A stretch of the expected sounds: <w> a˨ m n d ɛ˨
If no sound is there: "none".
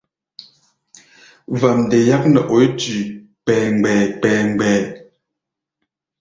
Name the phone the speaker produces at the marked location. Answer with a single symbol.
v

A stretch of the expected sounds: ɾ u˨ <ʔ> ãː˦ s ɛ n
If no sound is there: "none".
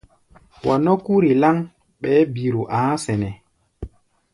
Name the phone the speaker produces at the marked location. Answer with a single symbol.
ʔ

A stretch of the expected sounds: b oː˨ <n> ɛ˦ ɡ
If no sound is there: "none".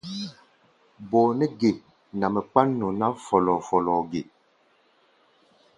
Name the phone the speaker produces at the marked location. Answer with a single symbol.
n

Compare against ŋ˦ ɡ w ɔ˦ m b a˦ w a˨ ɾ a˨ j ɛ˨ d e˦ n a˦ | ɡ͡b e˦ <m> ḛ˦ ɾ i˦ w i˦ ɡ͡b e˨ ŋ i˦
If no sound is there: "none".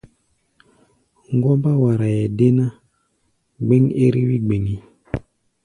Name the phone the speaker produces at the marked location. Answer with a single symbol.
ŋ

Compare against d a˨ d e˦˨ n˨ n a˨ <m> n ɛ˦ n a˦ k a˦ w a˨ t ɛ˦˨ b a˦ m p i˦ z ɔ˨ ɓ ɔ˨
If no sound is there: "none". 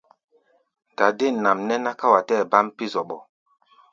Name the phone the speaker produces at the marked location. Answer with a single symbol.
m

